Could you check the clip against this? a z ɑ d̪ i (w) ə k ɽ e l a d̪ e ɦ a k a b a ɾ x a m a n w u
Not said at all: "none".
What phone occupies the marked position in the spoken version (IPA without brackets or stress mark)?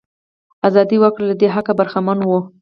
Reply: w